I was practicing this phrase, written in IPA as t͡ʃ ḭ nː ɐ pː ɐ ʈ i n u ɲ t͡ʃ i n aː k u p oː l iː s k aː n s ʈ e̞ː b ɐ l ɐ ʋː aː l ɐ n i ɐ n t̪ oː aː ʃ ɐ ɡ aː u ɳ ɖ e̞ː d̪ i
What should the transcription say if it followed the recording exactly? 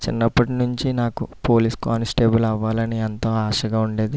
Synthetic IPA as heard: t͡ʃ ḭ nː ɐ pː ɐ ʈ i n u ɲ t͡ʃ i n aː k u p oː l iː s k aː n s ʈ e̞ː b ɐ l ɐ ʋː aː l ɐ n i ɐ n t̪ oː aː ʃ ɐ ɡ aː u ɳ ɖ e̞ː d̪ i

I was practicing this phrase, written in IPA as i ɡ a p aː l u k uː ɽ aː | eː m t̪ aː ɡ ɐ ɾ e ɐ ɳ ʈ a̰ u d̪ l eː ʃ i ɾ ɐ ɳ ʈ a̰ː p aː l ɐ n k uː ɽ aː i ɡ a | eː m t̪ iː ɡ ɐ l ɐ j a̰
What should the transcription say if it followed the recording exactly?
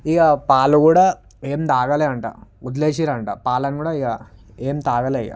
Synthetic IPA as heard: i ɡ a p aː l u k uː ɽ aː | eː m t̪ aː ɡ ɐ l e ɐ ɳ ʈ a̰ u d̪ l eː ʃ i ɾ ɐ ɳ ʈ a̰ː p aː l ɐ n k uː ɽ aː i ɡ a | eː m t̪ aː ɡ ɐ l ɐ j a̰

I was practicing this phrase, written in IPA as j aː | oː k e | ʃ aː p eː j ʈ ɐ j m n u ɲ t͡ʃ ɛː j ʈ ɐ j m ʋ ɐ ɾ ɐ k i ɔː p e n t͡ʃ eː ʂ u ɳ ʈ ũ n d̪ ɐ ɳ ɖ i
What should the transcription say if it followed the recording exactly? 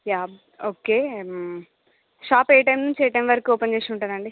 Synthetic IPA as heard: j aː | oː k e | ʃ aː p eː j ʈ ɐ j m n u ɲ t͡ʃ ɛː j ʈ ɐ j m ʋ ɐ ɾ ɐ k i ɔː p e n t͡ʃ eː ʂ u ɳ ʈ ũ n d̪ ɐ ɳ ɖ i

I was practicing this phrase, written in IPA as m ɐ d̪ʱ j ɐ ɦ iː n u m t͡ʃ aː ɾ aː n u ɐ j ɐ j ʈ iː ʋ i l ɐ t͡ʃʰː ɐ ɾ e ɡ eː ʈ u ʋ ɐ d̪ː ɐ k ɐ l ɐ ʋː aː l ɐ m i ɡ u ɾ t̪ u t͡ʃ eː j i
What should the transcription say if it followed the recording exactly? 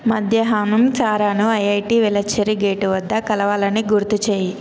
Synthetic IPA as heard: m ɐ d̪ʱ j ɐ ɦ aː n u m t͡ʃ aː ɾ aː n u ɐ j ɐ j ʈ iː ʋ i l ɐ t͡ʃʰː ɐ ɾ i ɡ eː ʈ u ʋ ɐ d̪ː ɐ k ɐ l ɐ ʋ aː l ɐ n i ɡ u ɾ t̪ u t͡ʃ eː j i

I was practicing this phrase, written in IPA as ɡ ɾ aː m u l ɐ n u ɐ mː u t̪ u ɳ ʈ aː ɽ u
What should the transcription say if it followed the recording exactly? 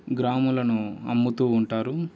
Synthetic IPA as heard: ɡ ɾ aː m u l ɐ n u ɐ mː u t̪ uː ɳ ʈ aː ɾ u

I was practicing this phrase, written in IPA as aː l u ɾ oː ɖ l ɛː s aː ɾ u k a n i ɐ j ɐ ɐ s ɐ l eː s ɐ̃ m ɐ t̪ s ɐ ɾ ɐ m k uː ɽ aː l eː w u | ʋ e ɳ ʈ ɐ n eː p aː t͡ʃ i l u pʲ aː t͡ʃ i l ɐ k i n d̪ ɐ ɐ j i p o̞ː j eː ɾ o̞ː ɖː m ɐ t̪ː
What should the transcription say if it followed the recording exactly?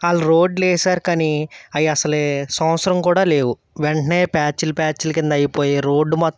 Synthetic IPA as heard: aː l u ɾ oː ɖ l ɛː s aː ɾ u k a n i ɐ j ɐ ɐ s ɐ l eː s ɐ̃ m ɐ t̪ s ɐ ɾ ɐ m k uː ɽ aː l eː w u | ʋ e ɳ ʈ ɐ n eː p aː t͡ʃ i l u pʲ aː t͡ʃ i l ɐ k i n d̪ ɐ ɐ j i p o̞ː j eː ɾ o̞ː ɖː m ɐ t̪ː

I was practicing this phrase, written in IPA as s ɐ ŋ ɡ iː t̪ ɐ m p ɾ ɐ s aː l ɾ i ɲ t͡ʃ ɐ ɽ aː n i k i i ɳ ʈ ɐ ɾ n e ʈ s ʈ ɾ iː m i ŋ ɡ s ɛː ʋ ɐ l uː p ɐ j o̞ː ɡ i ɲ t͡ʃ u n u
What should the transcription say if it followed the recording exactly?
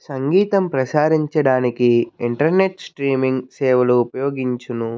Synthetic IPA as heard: s ɐ ŋ ɡ iː t̪ ɐ m p ɾ ɐ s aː ɾ i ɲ t͡ʃ ɐ ɽ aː n i k i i ɳ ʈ ɐ ɾ n e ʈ s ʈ ɾ iː m i ŋ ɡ s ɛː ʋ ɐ l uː p ɐ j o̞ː ɡ i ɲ t͡ʃ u n u

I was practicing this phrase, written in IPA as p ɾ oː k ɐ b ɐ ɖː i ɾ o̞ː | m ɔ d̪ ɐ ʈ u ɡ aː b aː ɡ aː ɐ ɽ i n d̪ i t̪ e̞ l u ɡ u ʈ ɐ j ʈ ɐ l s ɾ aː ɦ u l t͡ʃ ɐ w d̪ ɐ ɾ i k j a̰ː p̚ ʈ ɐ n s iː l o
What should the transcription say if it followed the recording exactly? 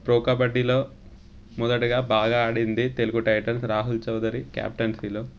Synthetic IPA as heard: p ɾ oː k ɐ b ɐ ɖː i l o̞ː | m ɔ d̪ ɐ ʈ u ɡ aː b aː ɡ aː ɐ ɽ i n d̪ i t̪ e̞ l u ɡ u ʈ ɐ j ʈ ɐ l s ɾ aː ɦ u l t͡ʃ ɐ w d̪ ɐ ɾ i k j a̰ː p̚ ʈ ɐ n s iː l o

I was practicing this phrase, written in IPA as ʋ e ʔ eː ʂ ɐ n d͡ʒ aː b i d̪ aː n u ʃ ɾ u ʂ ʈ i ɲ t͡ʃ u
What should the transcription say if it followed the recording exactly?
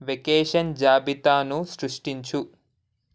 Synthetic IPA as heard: ʋ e k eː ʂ ɐ n d͡ʒ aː b i t̪ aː n u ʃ ɾ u ʂ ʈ i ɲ t͡ʃ u

